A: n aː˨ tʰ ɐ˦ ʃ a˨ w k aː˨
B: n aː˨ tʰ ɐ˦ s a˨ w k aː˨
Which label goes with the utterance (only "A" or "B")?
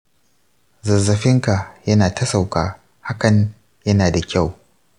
B